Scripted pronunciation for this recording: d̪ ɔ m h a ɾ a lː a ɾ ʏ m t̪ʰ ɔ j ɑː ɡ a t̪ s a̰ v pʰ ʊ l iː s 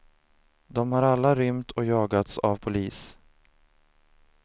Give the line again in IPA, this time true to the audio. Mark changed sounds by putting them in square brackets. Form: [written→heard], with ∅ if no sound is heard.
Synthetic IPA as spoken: d̪ ɔ m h a ɾ a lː a ɾ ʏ m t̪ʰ ɔ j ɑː ɡ a t̪ s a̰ v pʰ ʊ l iː s